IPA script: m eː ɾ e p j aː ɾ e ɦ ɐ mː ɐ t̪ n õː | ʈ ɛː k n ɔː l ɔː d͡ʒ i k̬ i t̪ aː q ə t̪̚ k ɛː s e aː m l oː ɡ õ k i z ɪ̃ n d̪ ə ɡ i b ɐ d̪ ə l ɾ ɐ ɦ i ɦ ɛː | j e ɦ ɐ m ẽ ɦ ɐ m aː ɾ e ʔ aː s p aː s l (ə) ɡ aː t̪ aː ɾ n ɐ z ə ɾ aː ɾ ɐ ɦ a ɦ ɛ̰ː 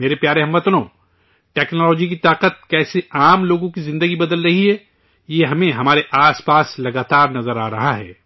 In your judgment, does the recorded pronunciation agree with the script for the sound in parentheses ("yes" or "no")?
no